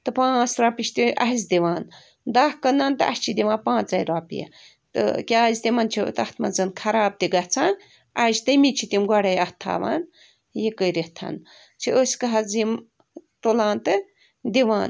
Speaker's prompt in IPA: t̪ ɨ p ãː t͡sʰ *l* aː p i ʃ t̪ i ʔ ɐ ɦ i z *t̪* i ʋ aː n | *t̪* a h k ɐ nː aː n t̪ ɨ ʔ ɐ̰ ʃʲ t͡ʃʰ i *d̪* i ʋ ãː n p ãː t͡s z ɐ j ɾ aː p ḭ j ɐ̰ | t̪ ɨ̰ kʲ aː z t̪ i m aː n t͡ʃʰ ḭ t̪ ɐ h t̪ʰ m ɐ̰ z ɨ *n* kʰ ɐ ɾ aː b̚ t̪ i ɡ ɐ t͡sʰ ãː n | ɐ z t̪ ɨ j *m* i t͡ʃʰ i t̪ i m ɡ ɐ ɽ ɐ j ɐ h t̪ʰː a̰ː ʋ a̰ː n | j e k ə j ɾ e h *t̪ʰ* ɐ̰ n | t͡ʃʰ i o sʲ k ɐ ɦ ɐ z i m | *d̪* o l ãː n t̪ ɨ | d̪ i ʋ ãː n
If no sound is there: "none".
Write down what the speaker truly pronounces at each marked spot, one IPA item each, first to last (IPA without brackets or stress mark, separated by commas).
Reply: ɾ, d̪, d̪, d̪, n, m, t̪ʰ, t̪